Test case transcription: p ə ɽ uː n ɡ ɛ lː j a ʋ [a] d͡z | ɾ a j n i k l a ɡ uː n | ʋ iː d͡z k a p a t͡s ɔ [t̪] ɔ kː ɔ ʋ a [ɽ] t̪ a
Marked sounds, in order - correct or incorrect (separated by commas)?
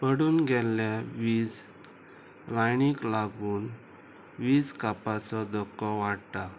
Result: incorrect, incorrect, correct